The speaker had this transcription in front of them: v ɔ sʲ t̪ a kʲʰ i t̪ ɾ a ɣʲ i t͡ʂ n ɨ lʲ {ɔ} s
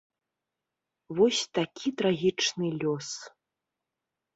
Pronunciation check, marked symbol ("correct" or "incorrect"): correct